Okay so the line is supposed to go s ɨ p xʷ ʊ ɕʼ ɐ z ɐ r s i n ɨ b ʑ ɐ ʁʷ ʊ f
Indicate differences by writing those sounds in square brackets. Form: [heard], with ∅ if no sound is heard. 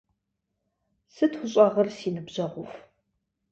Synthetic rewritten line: s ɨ [t] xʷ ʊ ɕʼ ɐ [ʁ] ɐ r s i n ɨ b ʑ ɐ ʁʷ ʊ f